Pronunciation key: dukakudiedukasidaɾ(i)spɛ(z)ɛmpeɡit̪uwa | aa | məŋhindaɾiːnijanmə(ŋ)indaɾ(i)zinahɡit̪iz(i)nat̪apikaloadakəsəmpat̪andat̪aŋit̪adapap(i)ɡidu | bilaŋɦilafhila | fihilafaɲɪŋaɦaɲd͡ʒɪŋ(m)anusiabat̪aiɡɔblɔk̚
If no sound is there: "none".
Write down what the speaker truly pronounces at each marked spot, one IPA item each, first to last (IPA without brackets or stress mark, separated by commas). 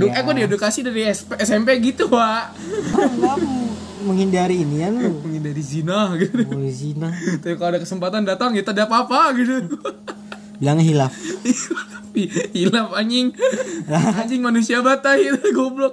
i, s, ŋ, i, i, a, m